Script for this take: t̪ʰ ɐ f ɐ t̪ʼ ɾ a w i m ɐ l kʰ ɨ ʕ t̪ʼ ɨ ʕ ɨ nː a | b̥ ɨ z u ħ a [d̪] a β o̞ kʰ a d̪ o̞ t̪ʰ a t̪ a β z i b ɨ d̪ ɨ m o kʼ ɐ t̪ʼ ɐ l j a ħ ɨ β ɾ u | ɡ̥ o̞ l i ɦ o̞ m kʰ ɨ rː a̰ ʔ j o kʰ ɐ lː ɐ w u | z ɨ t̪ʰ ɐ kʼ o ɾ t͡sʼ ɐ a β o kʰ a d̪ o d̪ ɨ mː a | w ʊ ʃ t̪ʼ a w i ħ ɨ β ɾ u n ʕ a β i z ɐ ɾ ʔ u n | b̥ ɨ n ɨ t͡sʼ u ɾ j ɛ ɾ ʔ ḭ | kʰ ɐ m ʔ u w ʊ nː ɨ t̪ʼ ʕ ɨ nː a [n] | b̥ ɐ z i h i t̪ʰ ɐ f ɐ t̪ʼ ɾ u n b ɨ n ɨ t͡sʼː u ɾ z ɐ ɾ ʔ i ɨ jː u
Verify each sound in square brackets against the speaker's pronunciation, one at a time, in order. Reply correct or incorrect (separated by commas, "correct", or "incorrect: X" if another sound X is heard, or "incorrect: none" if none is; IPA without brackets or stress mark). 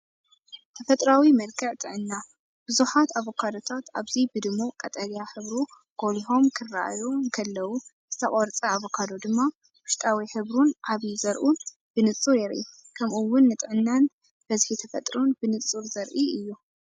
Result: incorrect: t̪, correct